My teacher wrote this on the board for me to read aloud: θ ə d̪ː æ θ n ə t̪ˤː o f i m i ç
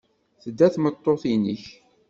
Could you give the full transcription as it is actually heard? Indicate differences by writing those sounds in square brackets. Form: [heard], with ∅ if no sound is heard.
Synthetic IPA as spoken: θ ə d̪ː æ θ [m] ə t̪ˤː o [θ] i [n] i ç